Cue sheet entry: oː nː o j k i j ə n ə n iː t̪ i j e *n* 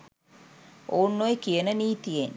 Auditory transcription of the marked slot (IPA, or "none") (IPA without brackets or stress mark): n